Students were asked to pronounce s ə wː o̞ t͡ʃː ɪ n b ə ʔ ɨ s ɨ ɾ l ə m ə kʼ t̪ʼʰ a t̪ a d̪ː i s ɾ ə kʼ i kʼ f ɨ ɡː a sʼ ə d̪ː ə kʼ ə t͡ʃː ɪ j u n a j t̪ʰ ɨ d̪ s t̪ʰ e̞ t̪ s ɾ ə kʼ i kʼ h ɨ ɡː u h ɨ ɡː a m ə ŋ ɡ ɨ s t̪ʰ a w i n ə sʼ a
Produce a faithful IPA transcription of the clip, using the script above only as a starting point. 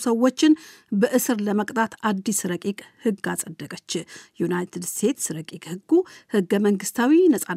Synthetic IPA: s ə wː o̞ t͡ʃː ɪ n b ə ʔ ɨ s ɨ ɾ l ə m ə kʼ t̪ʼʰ a t̪ a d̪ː i s ɾ ə kʼ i kʼ h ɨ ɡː a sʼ ə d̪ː ə kʼ ə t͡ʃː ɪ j u n a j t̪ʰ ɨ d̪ s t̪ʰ e̞ t̪ s ɾ ə kʼ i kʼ h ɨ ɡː u h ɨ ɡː ə m ə ŋ ɡ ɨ s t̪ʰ a w i n ə sʼ a